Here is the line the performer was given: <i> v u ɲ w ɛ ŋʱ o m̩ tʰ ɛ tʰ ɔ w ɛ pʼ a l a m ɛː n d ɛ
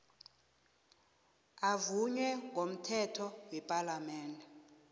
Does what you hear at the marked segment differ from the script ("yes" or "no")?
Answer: yes